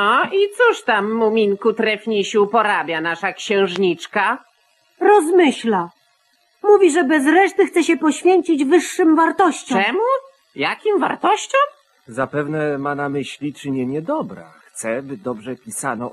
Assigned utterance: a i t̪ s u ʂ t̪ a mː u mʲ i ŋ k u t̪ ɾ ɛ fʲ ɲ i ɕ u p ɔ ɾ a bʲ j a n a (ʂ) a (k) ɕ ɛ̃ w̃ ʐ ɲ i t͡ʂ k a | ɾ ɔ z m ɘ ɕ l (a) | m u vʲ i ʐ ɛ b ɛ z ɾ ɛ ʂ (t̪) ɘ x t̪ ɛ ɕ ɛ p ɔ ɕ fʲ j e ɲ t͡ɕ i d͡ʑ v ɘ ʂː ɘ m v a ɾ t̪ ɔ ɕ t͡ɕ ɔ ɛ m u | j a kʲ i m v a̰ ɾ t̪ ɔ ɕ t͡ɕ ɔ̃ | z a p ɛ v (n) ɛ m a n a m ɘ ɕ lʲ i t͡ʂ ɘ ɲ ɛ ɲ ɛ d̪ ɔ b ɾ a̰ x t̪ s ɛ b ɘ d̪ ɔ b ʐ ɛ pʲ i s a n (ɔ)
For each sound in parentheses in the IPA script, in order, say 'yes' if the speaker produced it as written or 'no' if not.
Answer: yes, yes, yes, yes, yes, yes

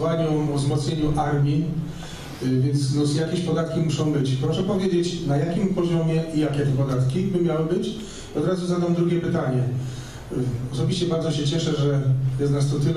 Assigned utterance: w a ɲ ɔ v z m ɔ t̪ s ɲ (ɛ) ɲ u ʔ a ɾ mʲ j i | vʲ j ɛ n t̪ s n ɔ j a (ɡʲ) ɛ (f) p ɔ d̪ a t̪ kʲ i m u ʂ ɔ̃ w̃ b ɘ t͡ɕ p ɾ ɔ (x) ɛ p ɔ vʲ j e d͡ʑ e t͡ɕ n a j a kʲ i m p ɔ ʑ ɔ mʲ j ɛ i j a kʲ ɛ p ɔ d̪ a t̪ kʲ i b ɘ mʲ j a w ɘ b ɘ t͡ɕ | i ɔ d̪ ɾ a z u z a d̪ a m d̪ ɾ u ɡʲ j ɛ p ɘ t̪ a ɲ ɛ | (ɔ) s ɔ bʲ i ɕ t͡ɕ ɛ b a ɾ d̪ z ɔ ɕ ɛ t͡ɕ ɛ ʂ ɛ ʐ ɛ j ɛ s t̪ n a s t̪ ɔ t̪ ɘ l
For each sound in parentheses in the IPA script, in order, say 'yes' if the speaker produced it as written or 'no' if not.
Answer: no, no, no, no, yes

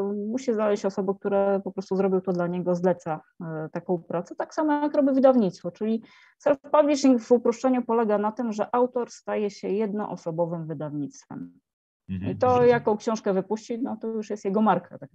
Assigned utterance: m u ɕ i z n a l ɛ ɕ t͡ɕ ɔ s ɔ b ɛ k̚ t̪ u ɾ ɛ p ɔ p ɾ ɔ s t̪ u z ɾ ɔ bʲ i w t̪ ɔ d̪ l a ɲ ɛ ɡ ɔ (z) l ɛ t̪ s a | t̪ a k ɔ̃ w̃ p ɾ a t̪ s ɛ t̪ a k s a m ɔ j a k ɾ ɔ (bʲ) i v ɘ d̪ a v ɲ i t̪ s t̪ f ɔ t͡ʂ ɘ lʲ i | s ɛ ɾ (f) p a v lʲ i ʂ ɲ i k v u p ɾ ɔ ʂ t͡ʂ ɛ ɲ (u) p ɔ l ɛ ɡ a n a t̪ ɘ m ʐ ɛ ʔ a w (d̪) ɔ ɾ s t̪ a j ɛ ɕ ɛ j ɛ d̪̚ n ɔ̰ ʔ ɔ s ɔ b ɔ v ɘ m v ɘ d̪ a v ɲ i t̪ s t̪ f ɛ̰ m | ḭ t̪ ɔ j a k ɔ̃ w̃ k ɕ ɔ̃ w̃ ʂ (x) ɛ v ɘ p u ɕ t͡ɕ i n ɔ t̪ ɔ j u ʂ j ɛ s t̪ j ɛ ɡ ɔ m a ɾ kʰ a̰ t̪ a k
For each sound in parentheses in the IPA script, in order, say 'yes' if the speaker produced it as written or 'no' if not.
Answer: yes, yes, yes, yes, no, no

